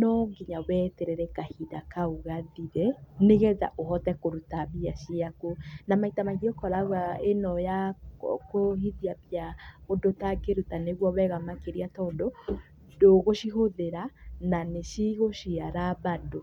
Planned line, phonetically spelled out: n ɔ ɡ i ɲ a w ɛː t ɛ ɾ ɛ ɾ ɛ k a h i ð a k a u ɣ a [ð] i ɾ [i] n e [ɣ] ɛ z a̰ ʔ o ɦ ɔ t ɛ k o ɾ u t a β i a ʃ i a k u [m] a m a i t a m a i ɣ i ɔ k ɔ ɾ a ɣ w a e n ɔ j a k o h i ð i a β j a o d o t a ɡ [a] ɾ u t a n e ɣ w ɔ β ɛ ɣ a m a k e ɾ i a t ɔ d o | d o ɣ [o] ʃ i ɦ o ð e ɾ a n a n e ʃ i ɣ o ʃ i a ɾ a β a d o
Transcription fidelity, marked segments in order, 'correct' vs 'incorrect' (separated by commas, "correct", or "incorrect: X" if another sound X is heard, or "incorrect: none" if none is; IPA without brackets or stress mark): correct, incorrect: ɛ, correct, incorrect: n, incorrect: e, correct